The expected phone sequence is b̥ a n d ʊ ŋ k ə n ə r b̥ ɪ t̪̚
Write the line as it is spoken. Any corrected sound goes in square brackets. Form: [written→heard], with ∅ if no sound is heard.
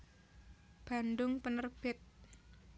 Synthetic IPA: b̥ a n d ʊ ŋ [k→p] ə n ə r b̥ ɪ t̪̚